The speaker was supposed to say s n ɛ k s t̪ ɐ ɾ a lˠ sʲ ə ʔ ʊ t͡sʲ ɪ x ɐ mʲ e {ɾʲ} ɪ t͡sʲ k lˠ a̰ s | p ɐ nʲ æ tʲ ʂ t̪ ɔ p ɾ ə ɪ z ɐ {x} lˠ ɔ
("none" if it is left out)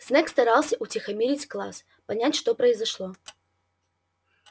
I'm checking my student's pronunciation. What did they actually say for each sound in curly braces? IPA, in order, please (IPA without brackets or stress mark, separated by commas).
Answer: ɾʲ, ʂ